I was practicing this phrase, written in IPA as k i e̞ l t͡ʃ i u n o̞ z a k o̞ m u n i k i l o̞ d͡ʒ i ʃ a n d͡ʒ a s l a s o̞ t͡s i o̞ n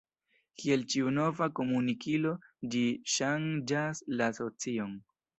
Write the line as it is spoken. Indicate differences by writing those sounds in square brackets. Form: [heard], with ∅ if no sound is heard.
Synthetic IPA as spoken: k i e̞ l t͡ʃ i u n o̞ [v] a k o̞ m u n i k i l o̞ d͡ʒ i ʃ a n d͡ʒ a s l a s o̞ t͡s i o̞ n